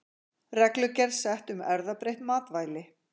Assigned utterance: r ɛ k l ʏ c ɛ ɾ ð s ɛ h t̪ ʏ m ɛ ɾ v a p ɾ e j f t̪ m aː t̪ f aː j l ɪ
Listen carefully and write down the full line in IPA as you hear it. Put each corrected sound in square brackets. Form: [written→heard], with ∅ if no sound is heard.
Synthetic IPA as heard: r ɛ k l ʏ c ɛ ɾ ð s ɛ h t̪ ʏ m ɛ ɾ [v→ð] a p ɾ e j [f→h] t̪ m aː t̪ [f→v] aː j l ɪ